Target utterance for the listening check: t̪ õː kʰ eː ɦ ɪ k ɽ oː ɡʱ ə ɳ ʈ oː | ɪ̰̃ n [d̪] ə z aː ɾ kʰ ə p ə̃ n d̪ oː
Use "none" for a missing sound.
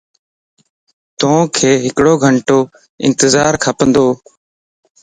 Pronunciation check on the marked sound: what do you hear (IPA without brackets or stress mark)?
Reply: t̪